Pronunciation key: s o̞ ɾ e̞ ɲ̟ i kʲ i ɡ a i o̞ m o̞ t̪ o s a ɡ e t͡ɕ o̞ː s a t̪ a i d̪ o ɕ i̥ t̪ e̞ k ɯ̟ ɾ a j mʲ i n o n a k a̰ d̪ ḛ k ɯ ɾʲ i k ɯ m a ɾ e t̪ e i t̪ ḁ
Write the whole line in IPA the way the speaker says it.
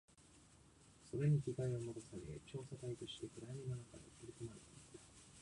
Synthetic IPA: s o̞ ɾ e̞ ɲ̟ i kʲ i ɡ a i o̞ m o̞ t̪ o s a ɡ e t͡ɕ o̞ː s a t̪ a i t̪ o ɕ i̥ t̪ e̞ k ɯ̟ ɾ a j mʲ i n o n a k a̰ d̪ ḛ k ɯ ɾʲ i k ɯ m a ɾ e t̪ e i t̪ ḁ